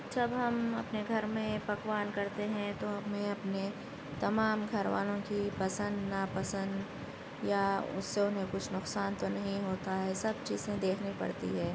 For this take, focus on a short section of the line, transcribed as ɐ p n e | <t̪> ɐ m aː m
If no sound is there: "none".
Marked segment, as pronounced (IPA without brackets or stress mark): t̪